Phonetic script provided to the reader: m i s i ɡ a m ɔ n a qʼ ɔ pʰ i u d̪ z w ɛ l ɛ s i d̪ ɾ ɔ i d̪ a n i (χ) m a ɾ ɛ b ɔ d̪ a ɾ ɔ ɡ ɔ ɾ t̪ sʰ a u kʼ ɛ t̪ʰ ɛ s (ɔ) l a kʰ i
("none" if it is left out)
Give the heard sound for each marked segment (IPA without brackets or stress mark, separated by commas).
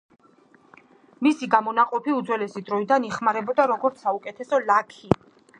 χ, ɔ